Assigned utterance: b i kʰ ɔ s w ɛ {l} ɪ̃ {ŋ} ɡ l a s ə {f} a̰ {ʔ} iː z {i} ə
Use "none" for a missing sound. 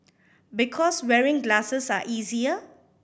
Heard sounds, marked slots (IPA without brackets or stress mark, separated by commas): ɹ, ŋ, s, ʔ, i